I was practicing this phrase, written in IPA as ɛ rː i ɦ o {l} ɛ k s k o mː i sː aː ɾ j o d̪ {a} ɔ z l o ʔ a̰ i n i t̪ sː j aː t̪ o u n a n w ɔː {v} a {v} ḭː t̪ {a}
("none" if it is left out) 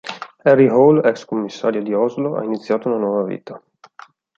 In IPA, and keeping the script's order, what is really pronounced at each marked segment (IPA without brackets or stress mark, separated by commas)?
l, i, v, v, a